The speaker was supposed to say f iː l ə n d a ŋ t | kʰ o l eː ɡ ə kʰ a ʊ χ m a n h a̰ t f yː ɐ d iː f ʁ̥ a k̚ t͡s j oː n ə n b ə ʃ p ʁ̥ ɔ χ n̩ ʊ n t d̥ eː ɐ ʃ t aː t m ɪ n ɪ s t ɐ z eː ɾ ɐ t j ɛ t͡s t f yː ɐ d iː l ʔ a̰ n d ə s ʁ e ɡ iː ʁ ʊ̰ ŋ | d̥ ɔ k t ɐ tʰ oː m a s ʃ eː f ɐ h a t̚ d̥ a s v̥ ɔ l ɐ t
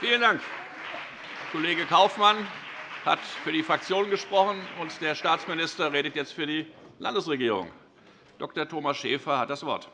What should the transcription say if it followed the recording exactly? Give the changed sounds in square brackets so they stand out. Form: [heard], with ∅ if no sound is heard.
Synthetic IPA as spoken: f iː l ə n d a ŋ [k] | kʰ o l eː ɡ ə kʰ a ʊ [f] m a n h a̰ t f yː ɐ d iː f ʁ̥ a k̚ t͡s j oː n ə n [ɡ] ə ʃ p ʁ̥ ɔ χ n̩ ʊ n t d̥ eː ɐ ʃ t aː [t͡s] m ɪ n ɪ s t ɐ [ʁ] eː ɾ [ə] t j ɛ t͡s t f yː ɐ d iː l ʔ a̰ n d ə s ʁ e ɡ iː ʁ ʊ̰ ŋ | d̥ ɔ k t ɐ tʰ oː m a s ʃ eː f ɐ h a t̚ d̥ a s v̥ ɔ [∅] ɐ t

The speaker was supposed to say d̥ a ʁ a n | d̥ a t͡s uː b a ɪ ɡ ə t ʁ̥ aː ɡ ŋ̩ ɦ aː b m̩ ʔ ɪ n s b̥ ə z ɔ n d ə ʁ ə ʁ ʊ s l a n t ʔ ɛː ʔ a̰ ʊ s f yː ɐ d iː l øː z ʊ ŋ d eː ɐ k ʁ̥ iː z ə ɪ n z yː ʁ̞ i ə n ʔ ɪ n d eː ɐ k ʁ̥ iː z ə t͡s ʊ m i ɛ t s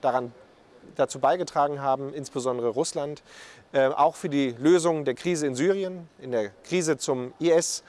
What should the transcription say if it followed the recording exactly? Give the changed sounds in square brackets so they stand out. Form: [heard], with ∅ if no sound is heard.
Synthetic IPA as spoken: d̥ a ʁ a n | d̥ a t͡s uː b a ɪ ɡ ə t ʁ̥ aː ɡ ŋ̩ ɦ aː b m̩ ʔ ɪ n s b̥ ə z ɔ n d ə ʁ ə ʁ ʊ s l a n t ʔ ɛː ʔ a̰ ʊ [x] f yː ɐ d iː l øː z ʊ ŋ d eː ɐ k ʁ̥ iː z ə ɪ n z yː ʁ̞ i ə n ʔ ɪ n d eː ɐ k ʁ̥ iː z ə t͡s ʊ m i ɛ [∅] s

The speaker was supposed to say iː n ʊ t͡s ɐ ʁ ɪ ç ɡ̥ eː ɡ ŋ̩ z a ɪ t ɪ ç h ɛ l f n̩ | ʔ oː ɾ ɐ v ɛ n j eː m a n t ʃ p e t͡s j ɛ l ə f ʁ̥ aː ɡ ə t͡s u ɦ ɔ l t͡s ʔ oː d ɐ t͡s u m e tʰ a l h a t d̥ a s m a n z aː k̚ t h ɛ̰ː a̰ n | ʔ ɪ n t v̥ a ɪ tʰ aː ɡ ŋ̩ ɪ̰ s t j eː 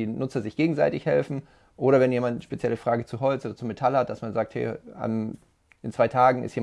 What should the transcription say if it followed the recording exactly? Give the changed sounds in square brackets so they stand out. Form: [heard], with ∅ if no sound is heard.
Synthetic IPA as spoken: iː n ʊ t͡s ɐ [z] ɪ ç ɡ̥ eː ɡ ŋ̩ z a ɪ t ɪ ç h ɛ l f n̩ | ʔ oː ɾ ɐ v ɛ n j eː m a n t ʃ p e t͡s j ɛ l ə f ʁ̥ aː ɡ ə t͡s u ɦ ɔ l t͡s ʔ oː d ɐ t͡s u m e tʰ a l h a t d̥ a s m a n z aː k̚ t h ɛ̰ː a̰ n | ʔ ɪ n [t͡s] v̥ a ɪ tʰ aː ɡ ŋ̩ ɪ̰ s t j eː

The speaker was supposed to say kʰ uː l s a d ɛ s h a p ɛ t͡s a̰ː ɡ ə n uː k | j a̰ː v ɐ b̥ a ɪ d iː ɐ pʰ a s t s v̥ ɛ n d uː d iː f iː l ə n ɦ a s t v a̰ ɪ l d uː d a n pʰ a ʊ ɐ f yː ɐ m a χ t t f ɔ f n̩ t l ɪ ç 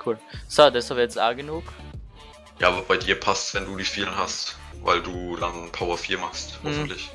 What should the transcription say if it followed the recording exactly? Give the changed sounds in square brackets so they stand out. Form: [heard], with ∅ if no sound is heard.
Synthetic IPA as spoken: kʰ uː l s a d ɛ s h a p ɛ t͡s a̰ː ɡ ə n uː k | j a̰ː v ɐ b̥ a ɪ d iː ɐ pʰ a s t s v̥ ɛ n d uː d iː f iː l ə n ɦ a s t v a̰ ɪ l d uː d a n pʰ a ʊ ɐ f [iː] ɐ m a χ [s] t [h] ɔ f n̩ t l ɪ ç

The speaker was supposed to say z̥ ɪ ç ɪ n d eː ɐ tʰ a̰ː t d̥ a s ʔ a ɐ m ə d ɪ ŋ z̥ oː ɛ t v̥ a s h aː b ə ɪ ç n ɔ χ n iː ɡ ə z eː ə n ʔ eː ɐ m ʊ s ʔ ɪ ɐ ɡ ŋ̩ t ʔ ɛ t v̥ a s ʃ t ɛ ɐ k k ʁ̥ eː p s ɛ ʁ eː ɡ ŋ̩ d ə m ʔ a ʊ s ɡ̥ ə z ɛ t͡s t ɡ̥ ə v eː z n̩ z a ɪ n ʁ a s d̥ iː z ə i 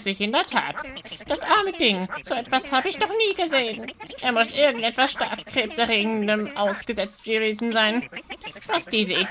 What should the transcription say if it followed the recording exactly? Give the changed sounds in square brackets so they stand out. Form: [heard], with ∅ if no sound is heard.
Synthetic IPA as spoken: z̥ ɪ ç ɪ n d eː ɐ tʰ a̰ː t d̥ a s ʔ a ɐ m ə d ɪ ŋ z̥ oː ɛ t v̥ a s h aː b ə ɪ ç n ɔ χ n iː ɡ ə z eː ə n ʔ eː ɐ m ʊ s ʔ ɪ ɐ ɡ ŋ̩ t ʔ ɛ t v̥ a s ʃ t [a] ɐ k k ʁ̥ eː p s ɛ ʁ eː ɡ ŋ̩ d ə m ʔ a ʊ s ɡ̥ ə z ɛ t͡s t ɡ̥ ə v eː z n̩ z a ɪ n [v] a s d̥ iː z ə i

